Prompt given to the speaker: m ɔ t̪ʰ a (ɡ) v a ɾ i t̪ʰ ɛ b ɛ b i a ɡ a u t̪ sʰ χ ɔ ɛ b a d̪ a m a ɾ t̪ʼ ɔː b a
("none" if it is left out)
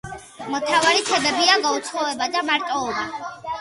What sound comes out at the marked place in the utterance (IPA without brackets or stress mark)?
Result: none